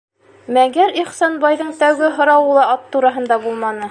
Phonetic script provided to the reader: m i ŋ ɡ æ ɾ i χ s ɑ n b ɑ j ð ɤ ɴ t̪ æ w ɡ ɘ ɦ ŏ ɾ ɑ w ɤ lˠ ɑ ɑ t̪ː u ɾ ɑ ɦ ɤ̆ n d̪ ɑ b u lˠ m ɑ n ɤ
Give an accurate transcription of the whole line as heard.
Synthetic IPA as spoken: m æ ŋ ɡ æ ɾ i χ s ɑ n b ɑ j ð ɤ ɴ t̪ æ w ɡ ɘ ɦ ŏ ɾ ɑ w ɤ lˠ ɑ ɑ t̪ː u ɾ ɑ ɦ ɤ̆ n d̪ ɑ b u lˠ m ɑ n ɤ